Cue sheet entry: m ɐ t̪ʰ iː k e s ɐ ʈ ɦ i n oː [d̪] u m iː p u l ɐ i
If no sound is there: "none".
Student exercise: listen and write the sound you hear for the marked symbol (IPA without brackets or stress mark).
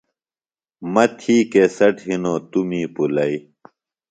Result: t̪